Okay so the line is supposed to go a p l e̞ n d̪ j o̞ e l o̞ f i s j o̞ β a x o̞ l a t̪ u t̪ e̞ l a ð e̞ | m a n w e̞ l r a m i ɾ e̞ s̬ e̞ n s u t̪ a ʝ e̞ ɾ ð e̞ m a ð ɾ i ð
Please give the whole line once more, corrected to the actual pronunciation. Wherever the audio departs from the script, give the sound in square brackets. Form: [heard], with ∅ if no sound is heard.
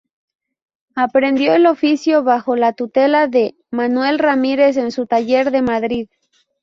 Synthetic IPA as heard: a p [ɾ] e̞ n d̪ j o̞ e l o̞ f i s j o̞ β a x o̞ l a t̪ u t̪ e̞ l a ð e̞ | m a n w e̞ l r a m i ɾ e̞ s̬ e̞ n s u t̪ a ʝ e̞ ɾ ð e̞ m a ð ɾ i ð